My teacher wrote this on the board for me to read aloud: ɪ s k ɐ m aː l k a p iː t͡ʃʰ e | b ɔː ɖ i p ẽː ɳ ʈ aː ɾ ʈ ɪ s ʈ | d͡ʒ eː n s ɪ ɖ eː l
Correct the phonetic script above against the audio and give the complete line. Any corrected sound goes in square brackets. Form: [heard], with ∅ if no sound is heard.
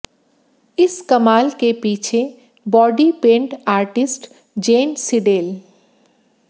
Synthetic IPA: ɪ s k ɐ m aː l k [e] p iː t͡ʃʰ e | b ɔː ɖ i p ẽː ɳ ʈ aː ɾ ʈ ɪ s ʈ | d͡ʒ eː n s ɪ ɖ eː l